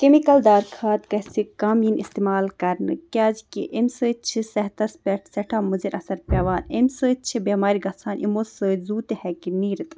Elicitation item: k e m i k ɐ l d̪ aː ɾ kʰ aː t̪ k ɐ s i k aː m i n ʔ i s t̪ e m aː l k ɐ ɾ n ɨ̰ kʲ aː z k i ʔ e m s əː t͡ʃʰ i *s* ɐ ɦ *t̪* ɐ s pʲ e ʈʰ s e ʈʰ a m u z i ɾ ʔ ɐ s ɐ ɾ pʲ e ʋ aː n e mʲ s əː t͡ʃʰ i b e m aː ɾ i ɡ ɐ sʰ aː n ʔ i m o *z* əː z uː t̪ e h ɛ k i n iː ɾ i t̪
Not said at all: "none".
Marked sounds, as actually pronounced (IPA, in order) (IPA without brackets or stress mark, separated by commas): s, t̪, s